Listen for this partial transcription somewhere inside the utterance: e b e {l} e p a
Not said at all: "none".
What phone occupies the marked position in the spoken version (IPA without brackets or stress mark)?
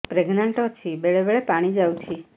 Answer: ɭ